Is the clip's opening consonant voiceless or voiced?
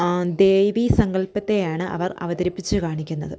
voiced